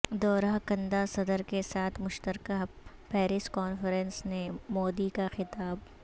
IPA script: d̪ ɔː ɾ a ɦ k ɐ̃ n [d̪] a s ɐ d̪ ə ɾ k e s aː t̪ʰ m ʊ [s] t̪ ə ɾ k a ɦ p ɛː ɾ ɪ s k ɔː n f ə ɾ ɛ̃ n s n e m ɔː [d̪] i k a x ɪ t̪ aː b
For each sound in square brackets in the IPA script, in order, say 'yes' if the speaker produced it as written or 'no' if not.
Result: yes, no, yes

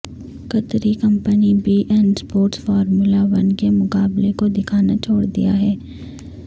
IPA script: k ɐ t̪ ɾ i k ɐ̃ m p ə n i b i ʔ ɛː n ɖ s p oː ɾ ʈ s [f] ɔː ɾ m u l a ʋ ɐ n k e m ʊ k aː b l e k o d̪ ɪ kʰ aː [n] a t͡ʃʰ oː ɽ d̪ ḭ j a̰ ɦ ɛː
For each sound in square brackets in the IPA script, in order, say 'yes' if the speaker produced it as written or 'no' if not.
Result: yes, yes

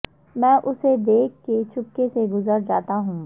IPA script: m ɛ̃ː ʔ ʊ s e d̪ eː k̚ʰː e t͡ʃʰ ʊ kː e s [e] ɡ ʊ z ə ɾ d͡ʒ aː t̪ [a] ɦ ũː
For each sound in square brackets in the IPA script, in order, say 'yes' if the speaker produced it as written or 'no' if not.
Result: yes, yes

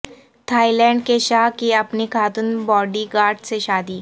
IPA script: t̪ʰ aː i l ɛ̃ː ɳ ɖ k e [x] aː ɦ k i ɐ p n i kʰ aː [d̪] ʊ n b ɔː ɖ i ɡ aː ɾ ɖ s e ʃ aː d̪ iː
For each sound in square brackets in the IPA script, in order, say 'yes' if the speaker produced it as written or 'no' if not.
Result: no, no

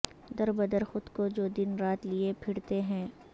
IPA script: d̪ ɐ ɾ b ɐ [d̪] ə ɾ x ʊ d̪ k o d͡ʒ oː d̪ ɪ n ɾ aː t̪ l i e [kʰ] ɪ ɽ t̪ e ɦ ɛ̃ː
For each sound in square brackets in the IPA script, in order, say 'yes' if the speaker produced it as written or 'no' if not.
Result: yes, no

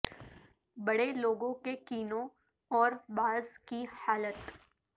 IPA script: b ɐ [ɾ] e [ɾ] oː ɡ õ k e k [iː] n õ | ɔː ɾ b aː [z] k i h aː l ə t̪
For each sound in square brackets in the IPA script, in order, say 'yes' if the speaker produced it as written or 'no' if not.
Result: no, no, yes, yes

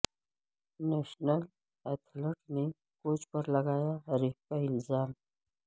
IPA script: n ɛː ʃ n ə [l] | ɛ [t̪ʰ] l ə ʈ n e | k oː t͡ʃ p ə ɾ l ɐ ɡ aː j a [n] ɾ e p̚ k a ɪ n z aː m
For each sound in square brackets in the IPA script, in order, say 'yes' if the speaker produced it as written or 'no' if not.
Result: yes, yes, no

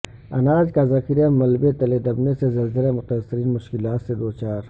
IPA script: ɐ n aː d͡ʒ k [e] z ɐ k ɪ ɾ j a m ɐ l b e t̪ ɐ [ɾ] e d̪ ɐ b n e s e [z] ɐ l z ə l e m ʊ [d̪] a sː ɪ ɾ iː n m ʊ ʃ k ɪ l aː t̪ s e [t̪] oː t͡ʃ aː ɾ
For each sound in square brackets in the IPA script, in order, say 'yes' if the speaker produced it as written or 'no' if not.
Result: no, no, yes, no, no

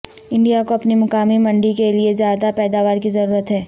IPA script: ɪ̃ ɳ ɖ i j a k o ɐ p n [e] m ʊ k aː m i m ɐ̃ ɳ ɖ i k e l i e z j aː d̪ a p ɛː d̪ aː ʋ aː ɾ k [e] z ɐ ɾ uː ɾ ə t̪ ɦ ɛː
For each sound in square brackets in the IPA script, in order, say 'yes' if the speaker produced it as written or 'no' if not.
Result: no, no

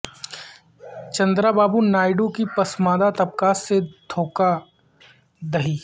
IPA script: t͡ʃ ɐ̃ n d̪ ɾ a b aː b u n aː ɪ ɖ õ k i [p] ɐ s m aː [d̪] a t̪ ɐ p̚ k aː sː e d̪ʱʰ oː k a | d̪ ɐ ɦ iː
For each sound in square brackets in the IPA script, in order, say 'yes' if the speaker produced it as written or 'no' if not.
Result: yes, yes

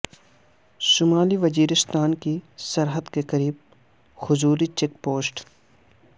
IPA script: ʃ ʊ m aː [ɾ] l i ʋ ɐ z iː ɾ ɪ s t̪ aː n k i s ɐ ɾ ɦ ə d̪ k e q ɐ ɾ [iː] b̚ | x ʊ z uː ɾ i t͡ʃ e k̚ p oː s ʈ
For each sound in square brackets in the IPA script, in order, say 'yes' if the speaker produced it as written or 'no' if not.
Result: no, yes

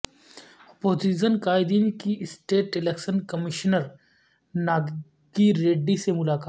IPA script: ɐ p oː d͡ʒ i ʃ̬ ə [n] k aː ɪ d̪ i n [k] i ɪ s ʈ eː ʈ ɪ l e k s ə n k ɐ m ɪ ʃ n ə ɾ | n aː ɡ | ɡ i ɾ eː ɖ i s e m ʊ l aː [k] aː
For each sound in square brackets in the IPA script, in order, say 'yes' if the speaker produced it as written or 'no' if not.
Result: yes, yes, yes

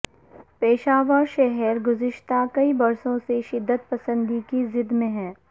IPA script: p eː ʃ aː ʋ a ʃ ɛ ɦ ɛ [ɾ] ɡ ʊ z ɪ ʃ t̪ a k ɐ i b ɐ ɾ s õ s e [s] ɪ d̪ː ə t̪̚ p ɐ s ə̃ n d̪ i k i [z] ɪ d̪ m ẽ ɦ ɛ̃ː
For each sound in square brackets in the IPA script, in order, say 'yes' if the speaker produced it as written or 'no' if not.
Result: yes, no, yes

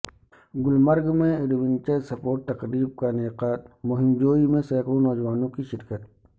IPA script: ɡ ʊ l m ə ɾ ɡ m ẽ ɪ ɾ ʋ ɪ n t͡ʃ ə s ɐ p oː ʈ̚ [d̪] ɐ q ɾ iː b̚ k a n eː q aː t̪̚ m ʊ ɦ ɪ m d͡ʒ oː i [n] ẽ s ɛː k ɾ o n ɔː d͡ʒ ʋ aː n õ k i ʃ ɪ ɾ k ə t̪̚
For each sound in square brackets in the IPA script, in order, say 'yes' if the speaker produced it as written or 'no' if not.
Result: no, no

